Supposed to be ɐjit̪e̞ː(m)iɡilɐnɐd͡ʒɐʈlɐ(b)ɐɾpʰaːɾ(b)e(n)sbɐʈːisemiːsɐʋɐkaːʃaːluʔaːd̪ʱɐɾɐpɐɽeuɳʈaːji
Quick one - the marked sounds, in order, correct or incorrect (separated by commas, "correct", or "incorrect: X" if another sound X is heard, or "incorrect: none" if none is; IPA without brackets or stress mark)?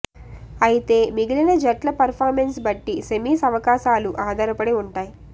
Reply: correct, incorrect: p, incorrect: m, correct